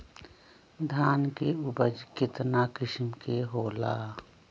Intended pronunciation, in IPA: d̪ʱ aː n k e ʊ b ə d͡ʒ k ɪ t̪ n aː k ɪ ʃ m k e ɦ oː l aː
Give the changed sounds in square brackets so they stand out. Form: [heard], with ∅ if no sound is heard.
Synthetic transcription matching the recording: d̪ʱ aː n k e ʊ b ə d͡ʒ k ɪ t̪ n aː k ɪ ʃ m k e ɦ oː l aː